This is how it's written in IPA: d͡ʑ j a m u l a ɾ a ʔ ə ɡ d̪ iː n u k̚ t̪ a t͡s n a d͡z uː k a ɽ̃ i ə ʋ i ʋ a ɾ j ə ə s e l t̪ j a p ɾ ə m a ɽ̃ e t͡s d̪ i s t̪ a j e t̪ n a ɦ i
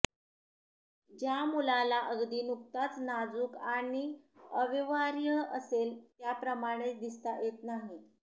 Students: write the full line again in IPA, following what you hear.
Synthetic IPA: d͡ʑ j a m u l a l a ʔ ə ɡ d̪ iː n u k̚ t̪ a t͡s n a d͡z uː k a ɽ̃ i ə ʋ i ʋ a ɾ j ə ə s e l t̪ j a p ɾ ə m a ɽ̃ e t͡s d̪ i s t̪ a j e t̪ n a ɦ i